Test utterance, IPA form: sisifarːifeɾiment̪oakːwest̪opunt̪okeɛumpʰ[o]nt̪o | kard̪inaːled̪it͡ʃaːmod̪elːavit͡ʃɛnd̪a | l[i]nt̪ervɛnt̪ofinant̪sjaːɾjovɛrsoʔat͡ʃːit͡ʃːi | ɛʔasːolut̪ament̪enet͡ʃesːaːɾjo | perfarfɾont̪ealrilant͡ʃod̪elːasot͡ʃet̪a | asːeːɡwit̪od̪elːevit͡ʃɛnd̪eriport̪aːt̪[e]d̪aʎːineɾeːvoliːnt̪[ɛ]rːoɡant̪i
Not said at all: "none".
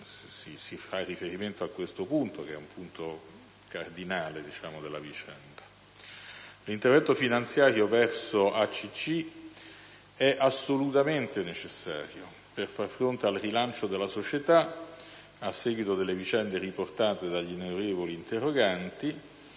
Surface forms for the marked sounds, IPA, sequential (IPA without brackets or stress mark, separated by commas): u, i, e, e